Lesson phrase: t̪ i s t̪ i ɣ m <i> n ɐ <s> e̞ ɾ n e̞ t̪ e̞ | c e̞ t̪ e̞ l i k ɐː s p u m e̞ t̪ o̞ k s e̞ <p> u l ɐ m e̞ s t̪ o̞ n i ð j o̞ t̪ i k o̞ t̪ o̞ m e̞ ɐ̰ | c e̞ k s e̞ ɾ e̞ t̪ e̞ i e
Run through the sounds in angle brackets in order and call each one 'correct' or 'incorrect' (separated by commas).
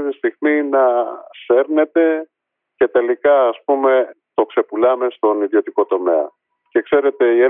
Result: correct, correct, correct